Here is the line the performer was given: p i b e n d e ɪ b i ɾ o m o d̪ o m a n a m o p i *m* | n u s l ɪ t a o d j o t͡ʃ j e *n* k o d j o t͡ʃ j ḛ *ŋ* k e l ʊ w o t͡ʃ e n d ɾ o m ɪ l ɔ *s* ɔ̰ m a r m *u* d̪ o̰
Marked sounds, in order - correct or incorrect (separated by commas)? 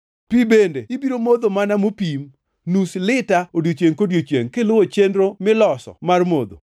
correct, incorrect, correct, correct, incorrect